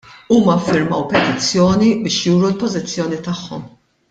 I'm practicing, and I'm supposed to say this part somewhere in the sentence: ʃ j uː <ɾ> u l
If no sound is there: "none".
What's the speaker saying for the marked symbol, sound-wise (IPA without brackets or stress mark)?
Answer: ɾ